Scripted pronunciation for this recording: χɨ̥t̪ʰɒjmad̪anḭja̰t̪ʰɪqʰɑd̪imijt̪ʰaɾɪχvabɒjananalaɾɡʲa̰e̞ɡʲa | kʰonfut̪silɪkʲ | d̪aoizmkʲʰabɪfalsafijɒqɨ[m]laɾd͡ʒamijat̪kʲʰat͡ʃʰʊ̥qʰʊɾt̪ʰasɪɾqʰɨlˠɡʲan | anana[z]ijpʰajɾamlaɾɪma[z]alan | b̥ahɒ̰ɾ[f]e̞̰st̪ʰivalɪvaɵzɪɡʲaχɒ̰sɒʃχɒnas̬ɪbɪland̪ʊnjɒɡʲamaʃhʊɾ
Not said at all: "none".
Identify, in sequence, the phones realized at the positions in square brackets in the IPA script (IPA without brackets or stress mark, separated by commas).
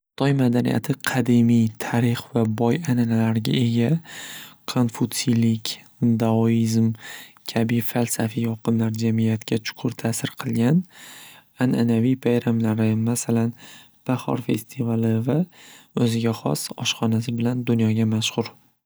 n, v, s, f